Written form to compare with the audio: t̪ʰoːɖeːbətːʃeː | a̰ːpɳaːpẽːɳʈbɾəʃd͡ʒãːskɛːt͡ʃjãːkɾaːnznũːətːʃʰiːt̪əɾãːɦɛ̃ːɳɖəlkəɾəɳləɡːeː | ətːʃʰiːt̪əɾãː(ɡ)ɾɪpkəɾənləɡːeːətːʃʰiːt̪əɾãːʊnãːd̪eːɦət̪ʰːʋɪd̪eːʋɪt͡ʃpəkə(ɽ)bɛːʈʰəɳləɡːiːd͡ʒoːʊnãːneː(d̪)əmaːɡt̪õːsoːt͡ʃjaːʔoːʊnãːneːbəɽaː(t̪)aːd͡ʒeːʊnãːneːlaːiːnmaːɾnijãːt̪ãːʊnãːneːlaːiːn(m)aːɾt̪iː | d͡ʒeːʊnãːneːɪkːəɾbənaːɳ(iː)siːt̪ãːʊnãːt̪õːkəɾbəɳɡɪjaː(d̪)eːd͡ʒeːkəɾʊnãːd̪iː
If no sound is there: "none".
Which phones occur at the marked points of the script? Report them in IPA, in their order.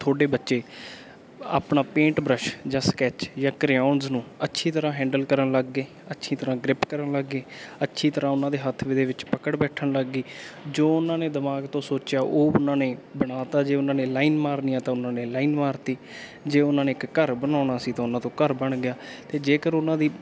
ɡ, ɽ, d̪, t̪, m, aː, t̪

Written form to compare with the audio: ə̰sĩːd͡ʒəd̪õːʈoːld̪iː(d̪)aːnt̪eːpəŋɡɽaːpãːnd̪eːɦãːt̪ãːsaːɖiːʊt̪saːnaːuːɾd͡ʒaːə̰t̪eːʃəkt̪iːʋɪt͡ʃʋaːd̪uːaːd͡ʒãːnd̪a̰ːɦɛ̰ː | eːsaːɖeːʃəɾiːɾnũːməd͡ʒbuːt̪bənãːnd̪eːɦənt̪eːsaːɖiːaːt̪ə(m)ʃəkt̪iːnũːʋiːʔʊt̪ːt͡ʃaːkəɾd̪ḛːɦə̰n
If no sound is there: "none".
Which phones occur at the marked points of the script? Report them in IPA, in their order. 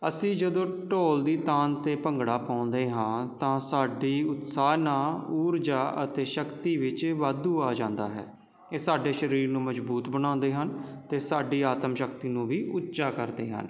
t̪, m

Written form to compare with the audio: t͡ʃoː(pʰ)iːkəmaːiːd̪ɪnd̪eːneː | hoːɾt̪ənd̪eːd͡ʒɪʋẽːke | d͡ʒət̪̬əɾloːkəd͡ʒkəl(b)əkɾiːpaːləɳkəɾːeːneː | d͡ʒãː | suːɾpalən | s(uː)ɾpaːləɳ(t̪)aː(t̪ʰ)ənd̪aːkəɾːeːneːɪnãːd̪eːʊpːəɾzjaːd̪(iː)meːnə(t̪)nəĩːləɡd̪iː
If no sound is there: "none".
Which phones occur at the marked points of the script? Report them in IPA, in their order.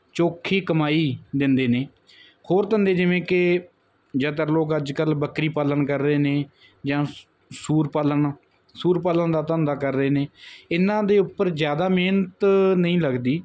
kʰ, b, uː, d̪, t̪, aː, t̪

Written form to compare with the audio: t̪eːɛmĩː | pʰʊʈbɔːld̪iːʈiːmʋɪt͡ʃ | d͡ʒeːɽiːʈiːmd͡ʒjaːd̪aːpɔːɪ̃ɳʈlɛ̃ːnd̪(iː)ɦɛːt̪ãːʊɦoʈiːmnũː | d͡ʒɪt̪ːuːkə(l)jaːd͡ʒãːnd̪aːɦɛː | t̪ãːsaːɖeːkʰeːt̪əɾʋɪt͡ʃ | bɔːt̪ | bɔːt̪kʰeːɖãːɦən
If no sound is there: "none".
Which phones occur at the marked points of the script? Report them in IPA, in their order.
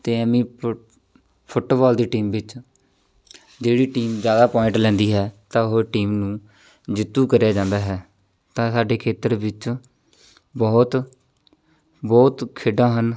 iː, ɾ

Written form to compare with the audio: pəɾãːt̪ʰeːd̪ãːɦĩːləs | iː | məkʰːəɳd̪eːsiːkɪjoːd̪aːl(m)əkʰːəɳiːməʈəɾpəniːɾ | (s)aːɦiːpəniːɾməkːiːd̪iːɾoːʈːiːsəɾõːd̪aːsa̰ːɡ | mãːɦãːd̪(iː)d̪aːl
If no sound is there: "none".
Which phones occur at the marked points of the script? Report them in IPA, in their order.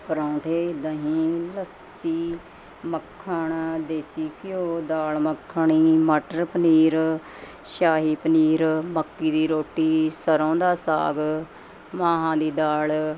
m, ʃ, iː

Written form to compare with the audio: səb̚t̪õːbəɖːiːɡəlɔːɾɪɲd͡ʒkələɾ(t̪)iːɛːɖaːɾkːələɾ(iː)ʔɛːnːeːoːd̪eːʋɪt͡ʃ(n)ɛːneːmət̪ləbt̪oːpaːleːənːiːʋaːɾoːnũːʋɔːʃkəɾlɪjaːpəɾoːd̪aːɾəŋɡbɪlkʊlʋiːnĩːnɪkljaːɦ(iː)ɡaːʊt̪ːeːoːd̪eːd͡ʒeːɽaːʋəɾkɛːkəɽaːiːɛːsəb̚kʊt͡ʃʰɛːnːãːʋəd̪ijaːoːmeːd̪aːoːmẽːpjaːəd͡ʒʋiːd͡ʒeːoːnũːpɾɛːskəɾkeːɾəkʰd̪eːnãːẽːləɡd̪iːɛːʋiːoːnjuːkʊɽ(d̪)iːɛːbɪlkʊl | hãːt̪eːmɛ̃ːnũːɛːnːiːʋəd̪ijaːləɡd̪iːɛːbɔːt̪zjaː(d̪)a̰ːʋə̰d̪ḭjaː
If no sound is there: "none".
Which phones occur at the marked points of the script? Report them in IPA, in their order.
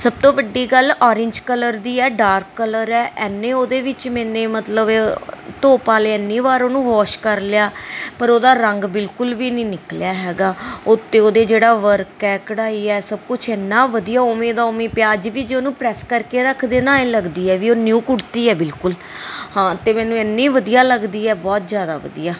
d̪, ɛː, m, ɛː, t̪, d̪

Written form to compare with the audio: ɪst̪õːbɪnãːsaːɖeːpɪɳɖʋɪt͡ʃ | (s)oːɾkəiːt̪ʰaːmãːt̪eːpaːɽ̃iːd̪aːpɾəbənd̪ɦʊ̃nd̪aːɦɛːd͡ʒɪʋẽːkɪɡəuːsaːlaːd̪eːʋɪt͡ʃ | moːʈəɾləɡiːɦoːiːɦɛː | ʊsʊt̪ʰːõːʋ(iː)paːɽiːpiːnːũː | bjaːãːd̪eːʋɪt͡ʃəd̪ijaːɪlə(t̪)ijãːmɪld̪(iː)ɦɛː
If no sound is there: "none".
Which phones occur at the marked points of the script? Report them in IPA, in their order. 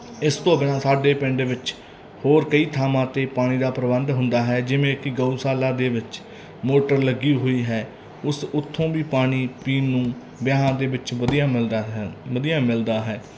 h, iː, d̪, aː

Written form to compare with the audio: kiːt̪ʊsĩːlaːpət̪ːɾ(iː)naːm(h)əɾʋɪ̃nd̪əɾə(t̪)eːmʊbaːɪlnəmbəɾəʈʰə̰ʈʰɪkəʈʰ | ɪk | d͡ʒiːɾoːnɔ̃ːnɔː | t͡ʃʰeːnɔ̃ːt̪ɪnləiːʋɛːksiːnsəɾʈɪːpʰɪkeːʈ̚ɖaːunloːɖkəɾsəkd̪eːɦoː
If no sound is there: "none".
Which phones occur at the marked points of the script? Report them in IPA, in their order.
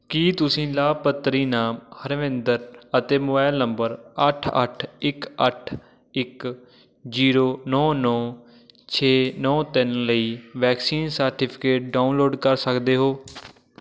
iː, h, t̪

